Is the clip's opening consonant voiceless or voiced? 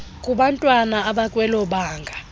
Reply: voiceless